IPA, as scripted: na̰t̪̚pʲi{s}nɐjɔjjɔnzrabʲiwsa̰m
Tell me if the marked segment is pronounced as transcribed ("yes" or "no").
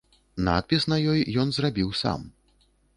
yes